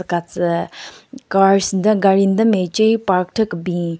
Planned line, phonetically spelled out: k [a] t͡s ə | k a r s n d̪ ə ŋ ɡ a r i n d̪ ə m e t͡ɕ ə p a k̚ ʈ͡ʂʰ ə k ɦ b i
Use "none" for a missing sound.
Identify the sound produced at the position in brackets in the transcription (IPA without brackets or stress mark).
a